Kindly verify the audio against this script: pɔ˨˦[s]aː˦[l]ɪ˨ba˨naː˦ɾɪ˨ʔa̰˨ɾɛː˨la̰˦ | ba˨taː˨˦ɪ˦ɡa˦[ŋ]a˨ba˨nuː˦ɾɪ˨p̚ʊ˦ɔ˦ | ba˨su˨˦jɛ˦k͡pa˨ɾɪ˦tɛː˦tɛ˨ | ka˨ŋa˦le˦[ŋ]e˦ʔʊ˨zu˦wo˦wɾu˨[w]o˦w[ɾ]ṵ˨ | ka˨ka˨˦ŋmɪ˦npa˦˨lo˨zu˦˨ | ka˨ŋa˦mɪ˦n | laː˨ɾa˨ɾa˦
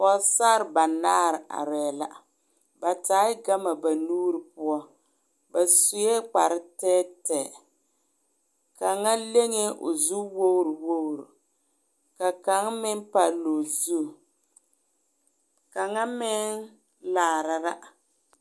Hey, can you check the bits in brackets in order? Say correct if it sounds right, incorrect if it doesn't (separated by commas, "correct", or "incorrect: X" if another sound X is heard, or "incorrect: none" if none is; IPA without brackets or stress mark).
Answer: correct, incorrect: ɾ, incorrect: m, correct, correct, correct